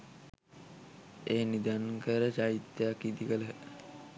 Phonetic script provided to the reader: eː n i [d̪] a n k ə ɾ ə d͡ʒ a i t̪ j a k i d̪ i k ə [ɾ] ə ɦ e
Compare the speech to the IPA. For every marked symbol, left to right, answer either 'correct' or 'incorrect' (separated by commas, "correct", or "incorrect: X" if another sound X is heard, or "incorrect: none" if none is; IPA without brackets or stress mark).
correct, incorrect: l